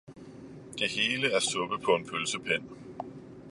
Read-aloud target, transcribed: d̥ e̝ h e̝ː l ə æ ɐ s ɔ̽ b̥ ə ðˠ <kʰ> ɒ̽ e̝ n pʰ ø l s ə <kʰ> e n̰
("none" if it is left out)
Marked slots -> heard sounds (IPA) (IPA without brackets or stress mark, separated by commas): pʰ, pʰ